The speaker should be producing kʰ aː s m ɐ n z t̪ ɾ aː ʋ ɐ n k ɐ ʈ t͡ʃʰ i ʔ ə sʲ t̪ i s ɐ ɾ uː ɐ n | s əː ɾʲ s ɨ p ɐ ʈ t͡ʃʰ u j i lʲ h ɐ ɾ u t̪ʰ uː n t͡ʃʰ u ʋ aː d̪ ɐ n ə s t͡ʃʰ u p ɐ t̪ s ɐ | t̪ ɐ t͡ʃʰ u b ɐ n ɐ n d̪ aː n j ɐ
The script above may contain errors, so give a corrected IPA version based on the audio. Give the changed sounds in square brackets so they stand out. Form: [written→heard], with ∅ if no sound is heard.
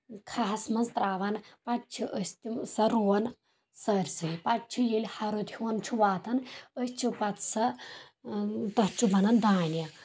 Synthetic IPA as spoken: kʰ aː s m ɐ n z t̪ ɾ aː ʋ ɐ n [k→p] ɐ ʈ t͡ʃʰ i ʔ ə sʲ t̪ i s ɐ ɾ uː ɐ n | s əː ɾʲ s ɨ p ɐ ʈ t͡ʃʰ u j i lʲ h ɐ ɾ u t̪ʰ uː n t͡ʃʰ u ʋ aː [d̪→t̪] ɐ n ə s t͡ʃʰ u p ɐ t̪ s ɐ | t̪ ɐ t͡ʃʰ u b ɐ n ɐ n d̪ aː n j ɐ